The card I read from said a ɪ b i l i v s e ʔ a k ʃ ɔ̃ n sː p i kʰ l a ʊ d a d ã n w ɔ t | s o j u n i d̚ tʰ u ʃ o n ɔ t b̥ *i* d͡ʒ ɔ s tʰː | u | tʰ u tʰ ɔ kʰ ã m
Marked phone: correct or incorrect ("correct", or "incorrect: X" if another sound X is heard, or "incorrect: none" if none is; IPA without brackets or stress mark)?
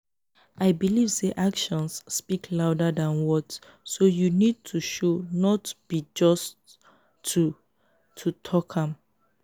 correct